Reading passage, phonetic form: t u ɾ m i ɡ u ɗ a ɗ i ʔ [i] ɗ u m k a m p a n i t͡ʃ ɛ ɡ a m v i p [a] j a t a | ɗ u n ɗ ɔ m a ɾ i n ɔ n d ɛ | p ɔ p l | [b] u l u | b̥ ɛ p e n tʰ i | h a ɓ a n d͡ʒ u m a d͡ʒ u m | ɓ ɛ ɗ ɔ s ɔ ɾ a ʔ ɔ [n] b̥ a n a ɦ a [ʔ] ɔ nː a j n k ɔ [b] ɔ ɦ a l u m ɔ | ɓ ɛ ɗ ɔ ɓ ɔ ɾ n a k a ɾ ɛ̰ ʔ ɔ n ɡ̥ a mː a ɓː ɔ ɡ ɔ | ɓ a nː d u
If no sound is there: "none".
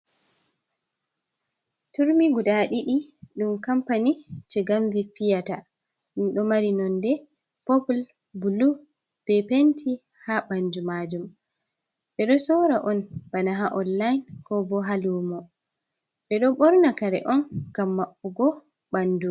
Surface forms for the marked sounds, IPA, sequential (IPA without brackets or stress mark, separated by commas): i, i, b, n, ʔ, b